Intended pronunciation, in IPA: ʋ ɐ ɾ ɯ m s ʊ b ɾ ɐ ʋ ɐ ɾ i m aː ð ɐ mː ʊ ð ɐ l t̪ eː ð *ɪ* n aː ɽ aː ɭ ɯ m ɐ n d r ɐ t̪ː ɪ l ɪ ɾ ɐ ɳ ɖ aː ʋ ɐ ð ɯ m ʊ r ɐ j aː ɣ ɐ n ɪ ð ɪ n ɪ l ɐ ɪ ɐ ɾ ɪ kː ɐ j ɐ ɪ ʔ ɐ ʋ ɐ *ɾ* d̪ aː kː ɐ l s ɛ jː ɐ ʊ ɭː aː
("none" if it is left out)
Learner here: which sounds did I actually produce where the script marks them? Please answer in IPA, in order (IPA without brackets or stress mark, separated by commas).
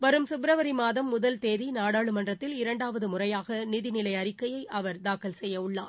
i, ɾ